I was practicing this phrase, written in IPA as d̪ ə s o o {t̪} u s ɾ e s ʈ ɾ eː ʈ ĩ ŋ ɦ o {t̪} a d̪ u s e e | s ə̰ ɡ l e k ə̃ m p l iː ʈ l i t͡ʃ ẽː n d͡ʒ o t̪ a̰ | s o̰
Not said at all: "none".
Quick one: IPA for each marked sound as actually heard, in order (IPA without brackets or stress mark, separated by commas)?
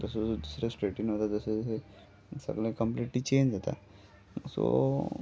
d̪, t̪